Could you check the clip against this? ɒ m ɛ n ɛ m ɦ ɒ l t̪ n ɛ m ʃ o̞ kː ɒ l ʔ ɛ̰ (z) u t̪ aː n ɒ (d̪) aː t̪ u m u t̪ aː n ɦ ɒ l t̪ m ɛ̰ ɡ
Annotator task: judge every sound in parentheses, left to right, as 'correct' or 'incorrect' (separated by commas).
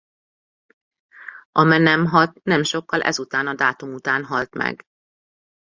correct, correct